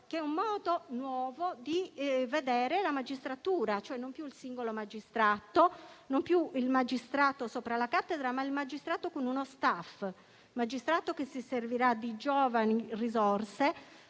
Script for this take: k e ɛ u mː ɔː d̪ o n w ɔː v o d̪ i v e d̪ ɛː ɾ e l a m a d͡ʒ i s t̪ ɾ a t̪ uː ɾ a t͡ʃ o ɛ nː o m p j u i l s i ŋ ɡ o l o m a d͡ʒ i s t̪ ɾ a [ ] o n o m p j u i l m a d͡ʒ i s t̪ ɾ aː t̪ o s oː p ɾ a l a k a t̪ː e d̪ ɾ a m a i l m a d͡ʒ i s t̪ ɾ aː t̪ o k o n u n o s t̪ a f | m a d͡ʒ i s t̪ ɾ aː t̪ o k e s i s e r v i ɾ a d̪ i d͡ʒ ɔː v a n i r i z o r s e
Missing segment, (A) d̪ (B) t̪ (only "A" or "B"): B